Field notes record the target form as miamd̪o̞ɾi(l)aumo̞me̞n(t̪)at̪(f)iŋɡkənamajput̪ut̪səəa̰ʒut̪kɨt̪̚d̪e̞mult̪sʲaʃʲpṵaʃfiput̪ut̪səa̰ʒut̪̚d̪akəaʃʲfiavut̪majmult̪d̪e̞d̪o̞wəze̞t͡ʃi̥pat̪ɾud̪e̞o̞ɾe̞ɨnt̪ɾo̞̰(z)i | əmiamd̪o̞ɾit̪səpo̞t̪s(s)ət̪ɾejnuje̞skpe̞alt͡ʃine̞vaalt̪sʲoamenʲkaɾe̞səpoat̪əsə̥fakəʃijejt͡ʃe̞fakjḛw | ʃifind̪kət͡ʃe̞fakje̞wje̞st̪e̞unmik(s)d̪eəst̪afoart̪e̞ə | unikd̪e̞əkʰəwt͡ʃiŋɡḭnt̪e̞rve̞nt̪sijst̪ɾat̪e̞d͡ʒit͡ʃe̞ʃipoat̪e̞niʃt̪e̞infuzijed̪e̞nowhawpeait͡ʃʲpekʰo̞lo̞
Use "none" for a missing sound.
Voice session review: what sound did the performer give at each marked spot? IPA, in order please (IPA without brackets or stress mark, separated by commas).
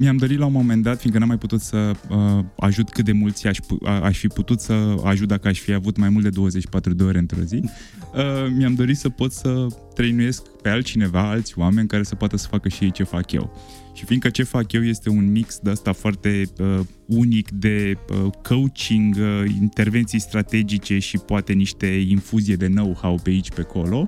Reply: l, d̪, f, z, s, s